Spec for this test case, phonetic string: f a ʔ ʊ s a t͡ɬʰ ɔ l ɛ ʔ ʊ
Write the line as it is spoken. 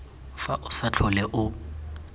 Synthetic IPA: f a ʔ ʊ s a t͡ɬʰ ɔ l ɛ ʔ ʊ